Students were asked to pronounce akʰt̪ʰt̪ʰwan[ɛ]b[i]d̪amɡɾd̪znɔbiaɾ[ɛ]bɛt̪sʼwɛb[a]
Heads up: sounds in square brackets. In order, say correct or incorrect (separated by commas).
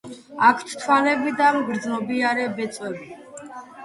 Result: correct, correct, correct, incorrect